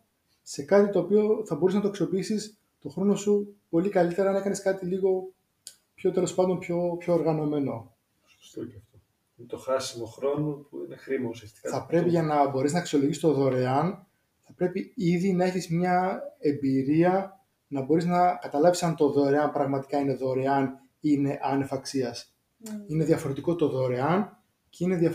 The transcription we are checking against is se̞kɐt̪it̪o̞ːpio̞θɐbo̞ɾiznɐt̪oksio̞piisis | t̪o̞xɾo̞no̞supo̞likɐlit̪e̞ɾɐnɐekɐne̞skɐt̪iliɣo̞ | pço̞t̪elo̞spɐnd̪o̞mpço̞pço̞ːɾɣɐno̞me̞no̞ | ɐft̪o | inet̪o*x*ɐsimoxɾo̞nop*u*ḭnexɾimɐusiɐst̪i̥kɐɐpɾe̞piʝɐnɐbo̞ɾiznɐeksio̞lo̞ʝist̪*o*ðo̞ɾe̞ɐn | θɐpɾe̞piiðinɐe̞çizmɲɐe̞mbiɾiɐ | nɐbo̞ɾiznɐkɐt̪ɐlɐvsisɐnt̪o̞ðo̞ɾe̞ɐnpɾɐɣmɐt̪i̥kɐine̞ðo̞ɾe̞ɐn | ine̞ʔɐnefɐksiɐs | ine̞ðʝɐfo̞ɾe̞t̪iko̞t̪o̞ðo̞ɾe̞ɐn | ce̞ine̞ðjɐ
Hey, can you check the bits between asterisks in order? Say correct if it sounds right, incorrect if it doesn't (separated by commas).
correct, correct, correct